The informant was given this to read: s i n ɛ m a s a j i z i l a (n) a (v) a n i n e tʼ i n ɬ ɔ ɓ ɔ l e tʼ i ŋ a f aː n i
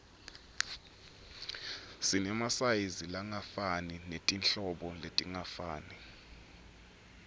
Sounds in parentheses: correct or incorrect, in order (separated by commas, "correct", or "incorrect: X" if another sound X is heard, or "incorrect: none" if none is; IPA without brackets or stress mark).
incorrect: ŋ, incorrect: f